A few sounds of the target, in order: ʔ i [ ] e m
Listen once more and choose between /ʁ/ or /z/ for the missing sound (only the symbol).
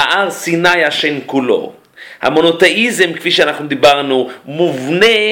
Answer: z